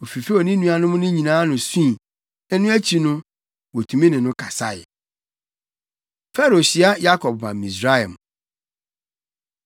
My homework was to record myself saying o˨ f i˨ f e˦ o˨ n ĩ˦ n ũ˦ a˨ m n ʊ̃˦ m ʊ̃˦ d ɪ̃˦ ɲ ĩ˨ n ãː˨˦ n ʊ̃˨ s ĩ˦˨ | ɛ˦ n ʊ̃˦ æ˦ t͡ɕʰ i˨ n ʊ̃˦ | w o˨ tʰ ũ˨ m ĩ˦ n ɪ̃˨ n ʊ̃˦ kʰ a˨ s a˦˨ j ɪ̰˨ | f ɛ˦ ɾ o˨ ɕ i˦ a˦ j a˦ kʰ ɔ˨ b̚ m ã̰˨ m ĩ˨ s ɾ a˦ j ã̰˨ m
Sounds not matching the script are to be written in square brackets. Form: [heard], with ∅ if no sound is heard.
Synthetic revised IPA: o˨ f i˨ f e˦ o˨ n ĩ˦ n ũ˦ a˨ [∅] n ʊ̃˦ m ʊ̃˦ [n] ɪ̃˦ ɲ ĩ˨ n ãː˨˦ n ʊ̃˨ s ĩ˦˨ | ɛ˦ n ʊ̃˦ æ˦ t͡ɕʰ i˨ n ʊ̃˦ | w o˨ tʰ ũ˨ m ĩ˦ n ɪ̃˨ n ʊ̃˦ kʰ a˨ s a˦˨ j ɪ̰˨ | f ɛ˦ ɾ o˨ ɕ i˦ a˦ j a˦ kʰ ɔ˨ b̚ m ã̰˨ m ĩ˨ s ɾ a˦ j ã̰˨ m